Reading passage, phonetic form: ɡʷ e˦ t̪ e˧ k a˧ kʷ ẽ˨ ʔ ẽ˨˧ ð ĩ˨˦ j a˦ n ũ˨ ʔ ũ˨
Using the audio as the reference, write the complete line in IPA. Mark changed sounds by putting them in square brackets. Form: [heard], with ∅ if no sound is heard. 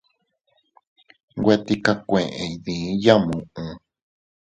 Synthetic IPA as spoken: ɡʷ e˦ t̪ [i˧] k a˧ kʷ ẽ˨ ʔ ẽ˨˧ ð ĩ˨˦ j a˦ [m] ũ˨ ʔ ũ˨

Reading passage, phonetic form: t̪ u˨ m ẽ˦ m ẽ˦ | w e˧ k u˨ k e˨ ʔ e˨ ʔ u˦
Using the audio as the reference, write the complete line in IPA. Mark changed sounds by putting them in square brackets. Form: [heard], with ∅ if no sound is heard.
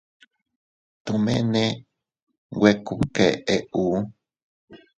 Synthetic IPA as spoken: t̪ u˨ m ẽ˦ [n] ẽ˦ | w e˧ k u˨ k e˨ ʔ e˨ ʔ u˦

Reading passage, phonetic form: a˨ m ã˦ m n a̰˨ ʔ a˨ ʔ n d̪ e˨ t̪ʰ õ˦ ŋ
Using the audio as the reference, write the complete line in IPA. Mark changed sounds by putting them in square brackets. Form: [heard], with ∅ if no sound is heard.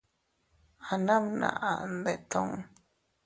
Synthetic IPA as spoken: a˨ [n] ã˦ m n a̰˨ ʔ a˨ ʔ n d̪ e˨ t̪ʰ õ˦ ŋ

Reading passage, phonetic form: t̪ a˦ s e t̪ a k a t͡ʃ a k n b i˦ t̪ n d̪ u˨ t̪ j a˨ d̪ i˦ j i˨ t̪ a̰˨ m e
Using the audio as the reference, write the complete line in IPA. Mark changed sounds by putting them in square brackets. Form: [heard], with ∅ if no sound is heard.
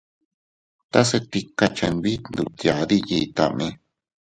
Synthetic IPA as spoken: t̪ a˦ s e t̪ [i] k a t͡ʃ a [∅] n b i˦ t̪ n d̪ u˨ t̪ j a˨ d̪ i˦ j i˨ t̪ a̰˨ m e

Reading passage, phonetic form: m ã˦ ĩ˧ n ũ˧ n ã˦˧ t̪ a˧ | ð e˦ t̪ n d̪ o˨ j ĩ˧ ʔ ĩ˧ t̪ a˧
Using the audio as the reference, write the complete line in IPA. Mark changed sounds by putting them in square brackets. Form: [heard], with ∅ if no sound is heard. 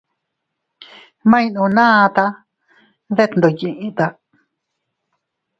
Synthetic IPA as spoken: m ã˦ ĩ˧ n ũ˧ n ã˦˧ t̪ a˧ | ð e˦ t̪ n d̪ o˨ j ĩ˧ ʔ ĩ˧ t̪ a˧

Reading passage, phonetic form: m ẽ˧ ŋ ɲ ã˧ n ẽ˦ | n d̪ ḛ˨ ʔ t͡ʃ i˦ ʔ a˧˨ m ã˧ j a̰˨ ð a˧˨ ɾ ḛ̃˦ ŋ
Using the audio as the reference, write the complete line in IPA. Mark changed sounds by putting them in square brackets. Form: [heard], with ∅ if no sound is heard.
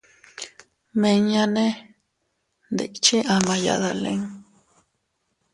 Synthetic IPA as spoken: m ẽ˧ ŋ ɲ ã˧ n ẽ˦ | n d̪ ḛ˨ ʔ t͡ʃ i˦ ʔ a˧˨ m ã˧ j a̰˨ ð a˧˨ [l] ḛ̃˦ ŋ

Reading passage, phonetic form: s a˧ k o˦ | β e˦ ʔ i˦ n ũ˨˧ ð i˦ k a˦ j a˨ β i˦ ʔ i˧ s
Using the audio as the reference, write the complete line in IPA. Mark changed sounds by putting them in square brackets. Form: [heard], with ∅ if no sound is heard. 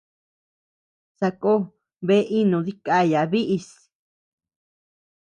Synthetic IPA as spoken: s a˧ k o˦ | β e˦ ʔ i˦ n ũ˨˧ ð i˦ k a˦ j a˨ β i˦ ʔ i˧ s

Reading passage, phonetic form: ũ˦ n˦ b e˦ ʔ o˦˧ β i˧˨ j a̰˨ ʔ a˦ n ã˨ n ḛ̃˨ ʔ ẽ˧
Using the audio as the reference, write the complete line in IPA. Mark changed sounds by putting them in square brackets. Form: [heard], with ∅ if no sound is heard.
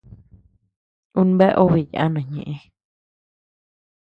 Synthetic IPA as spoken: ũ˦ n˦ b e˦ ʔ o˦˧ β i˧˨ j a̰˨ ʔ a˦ n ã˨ [ɲ] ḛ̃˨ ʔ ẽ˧

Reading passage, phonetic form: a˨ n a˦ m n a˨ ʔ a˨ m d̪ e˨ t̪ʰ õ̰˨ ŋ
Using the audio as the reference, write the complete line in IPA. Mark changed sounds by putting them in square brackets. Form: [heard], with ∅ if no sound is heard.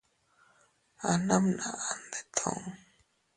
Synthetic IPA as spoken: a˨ n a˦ m n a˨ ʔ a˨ [n] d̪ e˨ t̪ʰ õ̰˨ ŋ

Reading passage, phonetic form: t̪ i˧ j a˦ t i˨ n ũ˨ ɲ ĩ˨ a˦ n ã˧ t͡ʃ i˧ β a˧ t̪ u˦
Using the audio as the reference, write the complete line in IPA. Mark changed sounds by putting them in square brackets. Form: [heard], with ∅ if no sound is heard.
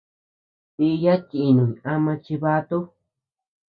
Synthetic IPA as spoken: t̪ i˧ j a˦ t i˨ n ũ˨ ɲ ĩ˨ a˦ [m] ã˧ t͡ʃ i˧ β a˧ t̪ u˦

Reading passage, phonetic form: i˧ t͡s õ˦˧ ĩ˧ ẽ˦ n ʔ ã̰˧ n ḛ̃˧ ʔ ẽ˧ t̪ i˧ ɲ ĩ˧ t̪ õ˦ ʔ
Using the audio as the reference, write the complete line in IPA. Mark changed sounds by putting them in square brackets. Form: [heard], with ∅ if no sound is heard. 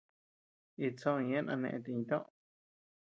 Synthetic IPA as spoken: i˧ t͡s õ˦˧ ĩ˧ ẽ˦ n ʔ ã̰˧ n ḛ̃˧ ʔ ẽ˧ t̪ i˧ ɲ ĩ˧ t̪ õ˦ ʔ

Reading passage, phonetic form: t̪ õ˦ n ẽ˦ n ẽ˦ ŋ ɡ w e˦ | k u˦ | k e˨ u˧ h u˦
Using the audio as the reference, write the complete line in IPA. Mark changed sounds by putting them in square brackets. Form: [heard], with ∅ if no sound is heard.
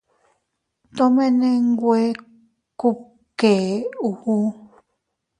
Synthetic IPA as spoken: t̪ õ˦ [m] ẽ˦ n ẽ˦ ŋ ɡ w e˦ | k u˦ | k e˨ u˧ h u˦

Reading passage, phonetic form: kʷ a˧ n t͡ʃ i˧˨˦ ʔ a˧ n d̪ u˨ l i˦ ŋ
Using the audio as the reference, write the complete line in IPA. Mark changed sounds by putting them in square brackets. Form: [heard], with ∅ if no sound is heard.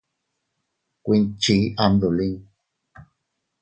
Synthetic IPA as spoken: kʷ [i˧] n t͡ʃ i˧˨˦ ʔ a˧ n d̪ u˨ l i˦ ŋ

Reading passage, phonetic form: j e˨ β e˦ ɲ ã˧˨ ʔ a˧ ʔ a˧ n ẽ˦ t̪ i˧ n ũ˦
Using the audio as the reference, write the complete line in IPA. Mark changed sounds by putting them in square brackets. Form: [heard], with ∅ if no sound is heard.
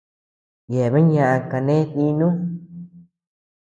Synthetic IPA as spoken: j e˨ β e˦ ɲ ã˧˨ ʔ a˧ [k] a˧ n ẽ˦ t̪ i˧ n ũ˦

